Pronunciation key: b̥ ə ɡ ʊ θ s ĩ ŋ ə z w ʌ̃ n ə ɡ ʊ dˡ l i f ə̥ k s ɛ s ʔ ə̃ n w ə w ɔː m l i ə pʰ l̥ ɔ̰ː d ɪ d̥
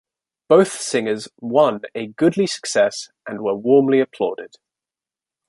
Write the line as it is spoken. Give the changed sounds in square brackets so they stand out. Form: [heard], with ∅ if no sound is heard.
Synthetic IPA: b̥ ə [∅] ʊ θ s [ɪ̃] ŋ ə z w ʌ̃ n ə ɡ ʊ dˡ l i [s] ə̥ k s ɛ s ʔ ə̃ n w ə w ɔː m l i ə pʰ l̥ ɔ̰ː d ɪ d̥